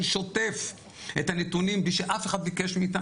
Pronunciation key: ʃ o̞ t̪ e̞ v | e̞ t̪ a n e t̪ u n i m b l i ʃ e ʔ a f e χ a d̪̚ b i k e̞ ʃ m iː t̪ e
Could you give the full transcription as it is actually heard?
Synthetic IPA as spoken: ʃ o̞ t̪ e̞ f | e̞ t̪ a n e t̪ u n i m b l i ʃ e ʔ a f e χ a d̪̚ b i k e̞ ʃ m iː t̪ a